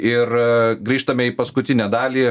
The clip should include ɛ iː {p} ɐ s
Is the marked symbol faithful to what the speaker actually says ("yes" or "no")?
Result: yes